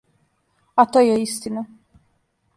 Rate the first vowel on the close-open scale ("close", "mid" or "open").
open